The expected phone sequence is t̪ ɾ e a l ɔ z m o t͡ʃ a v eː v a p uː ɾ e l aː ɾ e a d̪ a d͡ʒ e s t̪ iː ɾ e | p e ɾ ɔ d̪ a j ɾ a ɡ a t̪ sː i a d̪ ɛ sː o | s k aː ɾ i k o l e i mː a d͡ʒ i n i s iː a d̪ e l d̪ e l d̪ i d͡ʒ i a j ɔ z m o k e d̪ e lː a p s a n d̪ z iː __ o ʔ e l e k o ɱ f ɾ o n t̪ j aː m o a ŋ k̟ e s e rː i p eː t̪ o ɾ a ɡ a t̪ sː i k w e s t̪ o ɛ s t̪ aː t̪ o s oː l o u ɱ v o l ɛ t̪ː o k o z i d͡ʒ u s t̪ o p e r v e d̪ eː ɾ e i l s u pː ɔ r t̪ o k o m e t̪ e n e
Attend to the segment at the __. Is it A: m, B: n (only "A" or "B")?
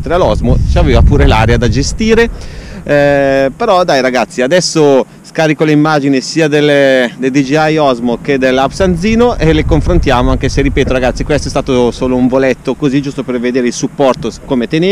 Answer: B